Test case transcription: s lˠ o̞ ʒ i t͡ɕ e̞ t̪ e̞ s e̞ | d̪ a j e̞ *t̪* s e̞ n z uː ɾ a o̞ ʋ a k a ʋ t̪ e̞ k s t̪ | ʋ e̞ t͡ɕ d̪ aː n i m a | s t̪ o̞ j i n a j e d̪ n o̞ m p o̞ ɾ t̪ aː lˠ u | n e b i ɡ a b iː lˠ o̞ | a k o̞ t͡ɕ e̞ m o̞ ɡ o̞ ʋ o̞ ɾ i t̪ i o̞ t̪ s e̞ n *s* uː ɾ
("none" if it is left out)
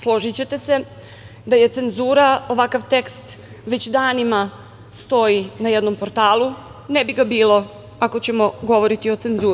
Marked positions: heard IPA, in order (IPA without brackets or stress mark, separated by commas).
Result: t̪, z